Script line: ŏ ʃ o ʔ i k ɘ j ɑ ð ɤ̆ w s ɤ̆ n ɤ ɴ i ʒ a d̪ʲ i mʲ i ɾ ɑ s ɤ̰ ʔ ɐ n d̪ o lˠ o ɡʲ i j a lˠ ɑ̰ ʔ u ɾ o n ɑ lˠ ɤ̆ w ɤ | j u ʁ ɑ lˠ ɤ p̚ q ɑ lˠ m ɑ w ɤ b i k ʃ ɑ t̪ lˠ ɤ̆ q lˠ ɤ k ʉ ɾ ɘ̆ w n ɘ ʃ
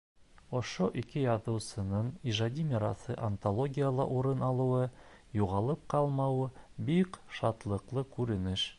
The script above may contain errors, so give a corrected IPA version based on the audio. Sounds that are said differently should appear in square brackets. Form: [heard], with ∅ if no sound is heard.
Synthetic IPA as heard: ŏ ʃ o ʔ i k ɘ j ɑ ð ɤ̆ w s ɤ̆ n ɤ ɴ i ʒ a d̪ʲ i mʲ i ɾ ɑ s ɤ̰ ʔ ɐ n [t̪] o lˠ o ɡʲ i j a lˠ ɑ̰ ʔ u ɾ [ɤ] n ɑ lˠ ɤ̆ w ɤ | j u ʁ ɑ lˠ ɤ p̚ q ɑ lˠ m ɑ w ɤ b i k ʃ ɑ t̪ lˠ ɤ̆ q lˠ ɤ k ʉ ɾ ɘ̆ [∅] n ɘ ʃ